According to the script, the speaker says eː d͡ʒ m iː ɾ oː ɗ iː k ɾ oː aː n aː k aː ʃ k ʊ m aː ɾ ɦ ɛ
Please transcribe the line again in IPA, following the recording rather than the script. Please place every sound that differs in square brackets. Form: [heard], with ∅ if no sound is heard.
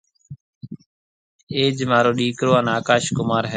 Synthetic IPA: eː d͡ʒ m [aː] ɾ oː ɗ iː k ɾ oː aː n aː k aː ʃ k ʊ m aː ɾ ɦ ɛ